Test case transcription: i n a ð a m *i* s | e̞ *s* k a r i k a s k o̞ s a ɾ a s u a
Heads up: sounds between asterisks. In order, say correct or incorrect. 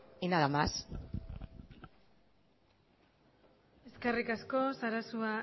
incorrect: a, correct

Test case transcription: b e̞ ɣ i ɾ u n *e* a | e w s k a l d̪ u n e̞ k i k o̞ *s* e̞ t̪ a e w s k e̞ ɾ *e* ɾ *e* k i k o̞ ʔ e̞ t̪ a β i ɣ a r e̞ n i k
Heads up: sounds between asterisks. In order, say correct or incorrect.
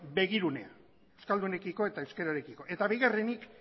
correct, incorrect: none, incorrect: a, correct

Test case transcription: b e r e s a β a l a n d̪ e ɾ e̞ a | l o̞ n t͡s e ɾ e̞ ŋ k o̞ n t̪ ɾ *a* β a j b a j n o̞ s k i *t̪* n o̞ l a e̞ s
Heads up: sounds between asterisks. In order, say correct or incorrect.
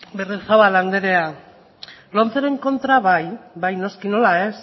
correct, incorrect: none

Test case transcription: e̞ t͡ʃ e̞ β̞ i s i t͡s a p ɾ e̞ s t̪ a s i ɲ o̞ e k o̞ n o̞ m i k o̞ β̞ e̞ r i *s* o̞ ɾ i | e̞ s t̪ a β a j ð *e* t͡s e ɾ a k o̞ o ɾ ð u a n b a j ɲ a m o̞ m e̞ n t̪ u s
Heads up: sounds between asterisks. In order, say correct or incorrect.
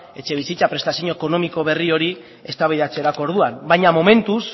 incorrect: none, incorrect: a

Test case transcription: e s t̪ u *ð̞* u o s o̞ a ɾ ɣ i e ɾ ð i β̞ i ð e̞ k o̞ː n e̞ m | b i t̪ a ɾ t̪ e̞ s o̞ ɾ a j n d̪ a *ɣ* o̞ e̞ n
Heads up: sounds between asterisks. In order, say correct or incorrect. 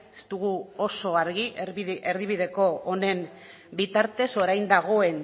incorrect: ɣ̞, correct

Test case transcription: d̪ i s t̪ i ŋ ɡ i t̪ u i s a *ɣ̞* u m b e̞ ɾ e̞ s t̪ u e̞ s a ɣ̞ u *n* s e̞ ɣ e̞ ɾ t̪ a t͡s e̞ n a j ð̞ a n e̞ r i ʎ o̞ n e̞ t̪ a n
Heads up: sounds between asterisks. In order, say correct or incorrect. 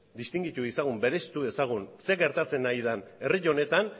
correct, correct

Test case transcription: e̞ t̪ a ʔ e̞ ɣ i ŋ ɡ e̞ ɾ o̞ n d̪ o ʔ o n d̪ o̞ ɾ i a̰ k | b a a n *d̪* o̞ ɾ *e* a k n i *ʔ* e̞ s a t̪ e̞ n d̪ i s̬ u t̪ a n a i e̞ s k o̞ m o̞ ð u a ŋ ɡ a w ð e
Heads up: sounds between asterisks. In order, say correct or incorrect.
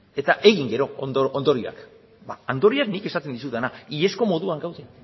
correct, incorrect: i, incorrect: k

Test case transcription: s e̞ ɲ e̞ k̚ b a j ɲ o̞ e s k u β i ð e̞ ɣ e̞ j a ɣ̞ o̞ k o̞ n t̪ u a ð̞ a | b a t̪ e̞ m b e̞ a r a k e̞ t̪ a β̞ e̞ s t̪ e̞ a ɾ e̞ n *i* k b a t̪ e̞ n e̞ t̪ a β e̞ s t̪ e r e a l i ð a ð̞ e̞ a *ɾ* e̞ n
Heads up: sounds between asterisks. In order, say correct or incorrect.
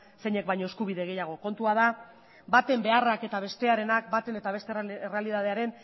incorrect: a, correct

